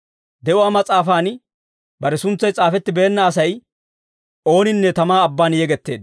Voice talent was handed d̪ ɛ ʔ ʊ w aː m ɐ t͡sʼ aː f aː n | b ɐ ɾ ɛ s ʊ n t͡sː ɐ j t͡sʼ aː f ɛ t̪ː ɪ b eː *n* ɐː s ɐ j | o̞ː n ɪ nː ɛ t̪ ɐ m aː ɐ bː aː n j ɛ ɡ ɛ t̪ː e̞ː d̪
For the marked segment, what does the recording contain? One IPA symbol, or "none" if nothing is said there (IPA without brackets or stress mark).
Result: nː